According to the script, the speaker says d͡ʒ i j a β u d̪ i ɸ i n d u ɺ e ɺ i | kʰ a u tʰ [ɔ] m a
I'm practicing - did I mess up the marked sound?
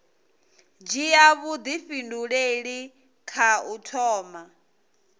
yes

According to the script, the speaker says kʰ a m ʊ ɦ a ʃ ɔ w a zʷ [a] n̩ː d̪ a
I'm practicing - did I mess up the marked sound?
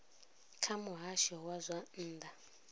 no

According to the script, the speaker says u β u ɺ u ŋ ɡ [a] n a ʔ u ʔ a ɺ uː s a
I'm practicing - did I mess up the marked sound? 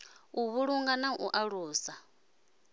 no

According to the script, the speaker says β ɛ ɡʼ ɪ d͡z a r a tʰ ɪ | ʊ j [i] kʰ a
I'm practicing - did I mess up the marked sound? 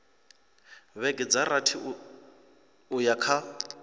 yes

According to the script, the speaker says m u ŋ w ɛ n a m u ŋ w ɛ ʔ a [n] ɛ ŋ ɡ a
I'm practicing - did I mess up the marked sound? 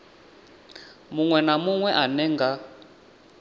no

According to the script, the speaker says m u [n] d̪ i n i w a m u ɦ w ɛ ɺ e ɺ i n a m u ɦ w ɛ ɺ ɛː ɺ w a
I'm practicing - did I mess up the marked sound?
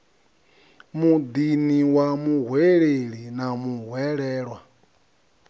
yes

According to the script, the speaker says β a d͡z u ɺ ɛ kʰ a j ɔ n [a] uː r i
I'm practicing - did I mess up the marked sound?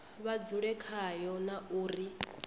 no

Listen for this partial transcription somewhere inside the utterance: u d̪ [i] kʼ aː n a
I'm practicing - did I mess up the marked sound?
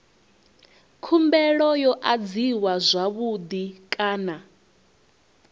no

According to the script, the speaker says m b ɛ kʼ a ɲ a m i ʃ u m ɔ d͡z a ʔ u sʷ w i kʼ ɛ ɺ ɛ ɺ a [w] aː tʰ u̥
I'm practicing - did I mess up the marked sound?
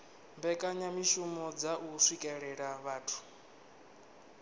yes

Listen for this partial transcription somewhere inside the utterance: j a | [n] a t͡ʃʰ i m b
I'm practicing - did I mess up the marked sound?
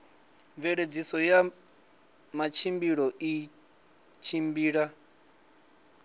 yes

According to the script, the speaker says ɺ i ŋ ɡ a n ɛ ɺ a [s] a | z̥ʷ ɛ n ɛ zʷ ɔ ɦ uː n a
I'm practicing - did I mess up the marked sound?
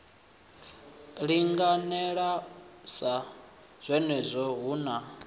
no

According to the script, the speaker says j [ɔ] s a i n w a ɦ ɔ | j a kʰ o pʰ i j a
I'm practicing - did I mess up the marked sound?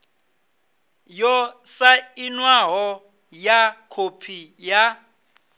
no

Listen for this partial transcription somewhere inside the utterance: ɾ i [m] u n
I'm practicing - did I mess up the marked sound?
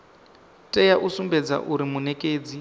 no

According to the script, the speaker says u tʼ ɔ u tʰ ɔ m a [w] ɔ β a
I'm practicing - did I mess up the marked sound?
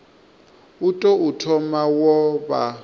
no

